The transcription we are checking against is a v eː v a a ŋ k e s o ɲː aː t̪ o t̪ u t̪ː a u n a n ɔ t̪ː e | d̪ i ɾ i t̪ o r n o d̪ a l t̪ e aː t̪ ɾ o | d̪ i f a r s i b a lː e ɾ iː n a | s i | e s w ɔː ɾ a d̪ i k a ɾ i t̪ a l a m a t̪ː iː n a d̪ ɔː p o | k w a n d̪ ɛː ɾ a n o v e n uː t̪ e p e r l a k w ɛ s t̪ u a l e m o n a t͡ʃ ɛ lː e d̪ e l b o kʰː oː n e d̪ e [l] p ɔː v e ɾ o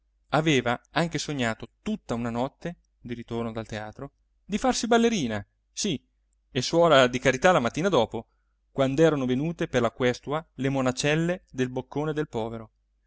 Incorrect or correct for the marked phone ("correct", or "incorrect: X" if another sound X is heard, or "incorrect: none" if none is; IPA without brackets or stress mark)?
correct